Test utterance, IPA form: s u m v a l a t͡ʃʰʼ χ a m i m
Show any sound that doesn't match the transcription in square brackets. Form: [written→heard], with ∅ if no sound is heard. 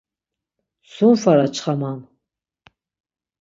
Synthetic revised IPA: s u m [v→f] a [l→ɾ] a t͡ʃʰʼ χ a m [i→a] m